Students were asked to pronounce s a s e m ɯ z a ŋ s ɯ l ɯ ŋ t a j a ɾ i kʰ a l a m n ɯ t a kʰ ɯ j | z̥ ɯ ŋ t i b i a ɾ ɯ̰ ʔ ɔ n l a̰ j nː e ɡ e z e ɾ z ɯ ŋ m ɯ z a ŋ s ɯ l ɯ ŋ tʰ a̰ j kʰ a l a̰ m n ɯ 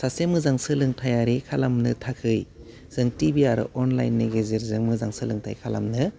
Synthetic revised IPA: s a s e m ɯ z a ŋ s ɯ l ɯ ŋ tʰ a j a ɾ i kʰ a l a m n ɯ tʰ a kʰ ɯ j | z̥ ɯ ŋ t i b i a ɾ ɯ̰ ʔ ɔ n l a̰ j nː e ɡ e z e ɾ z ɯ ŋ m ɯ z a ŋ s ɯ l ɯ ŋ tʰ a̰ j kʰ a l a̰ m n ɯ